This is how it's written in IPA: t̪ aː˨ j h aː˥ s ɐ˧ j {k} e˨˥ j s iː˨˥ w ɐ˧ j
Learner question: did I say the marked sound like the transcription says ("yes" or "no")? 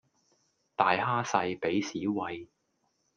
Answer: no